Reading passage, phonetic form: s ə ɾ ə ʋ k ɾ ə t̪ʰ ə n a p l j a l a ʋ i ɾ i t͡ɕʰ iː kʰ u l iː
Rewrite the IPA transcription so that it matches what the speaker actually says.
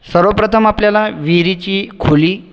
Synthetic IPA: s ə ɾ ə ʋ p ɾ ə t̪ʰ ə m a p l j a l a ʋ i ɾ i t͡ɕ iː kʰ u l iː